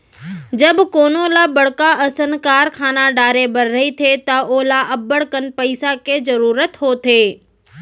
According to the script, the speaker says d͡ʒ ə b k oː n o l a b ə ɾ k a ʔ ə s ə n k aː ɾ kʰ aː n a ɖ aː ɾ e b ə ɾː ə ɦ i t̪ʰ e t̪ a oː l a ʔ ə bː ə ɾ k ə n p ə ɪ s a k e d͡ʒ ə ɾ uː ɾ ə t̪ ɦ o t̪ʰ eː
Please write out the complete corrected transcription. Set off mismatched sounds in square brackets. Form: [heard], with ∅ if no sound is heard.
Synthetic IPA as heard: d͡ʒ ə b k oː n o l a b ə [ɽ] k a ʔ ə s ə n k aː ɾ kʰ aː n a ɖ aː ɾ e b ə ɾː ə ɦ i t̪ʰ e t̪ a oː l a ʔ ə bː ə [ɽ] k ə n p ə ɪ s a k e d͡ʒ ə ɾ uː ɾ ə t̪ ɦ o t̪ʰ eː

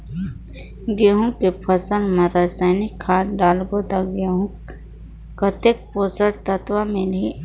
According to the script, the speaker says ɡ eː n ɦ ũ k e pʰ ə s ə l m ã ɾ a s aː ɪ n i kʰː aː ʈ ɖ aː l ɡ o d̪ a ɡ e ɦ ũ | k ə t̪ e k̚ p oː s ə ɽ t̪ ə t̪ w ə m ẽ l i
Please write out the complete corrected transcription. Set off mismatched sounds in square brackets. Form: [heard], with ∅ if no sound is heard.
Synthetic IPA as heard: ɡ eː [∅] ɦ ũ k e pʰ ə s ə l m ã ɾ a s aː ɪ n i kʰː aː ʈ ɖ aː l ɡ o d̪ a ɡ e ɦ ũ | k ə t̪ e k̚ p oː s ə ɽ t̪ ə t̪ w [a] m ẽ l i

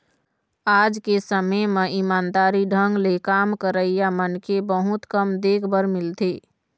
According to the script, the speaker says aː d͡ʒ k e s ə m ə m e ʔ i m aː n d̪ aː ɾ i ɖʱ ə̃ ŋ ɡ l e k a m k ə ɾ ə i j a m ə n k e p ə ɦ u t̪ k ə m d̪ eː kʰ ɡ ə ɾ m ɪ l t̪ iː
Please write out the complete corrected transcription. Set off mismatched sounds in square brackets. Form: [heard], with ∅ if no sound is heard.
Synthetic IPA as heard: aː d͡ʒ k e s ə m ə m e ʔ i m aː n d̪ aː ɾ i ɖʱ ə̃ ŋ ɡ l e k a m k ə ɾ ə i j a m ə n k e [b] ə ɦ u t̪ k ə m d̪ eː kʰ [b] ə ɾ m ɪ l t̪ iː

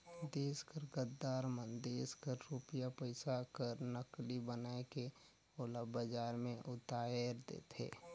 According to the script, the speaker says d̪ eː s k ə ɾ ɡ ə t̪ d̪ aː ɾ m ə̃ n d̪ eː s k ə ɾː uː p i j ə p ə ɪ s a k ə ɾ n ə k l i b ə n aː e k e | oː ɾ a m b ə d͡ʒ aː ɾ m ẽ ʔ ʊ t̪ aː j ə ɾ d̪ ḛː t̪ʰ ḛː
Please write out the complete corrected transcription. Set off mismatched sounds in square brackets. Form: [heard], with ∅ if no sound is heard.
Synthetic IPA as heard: d̪ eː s k ə ɾ ɡ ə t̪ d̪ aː ɾ m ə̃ n d̪ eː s k ə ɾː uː p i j [a] p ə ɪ s a k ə ɾ n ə k l i b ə n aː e k e | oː [l] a [∅] b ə d͡ʒ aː ɾ m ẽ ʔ ʊ t̪ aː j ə ɾ d̪ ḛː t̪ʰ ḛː

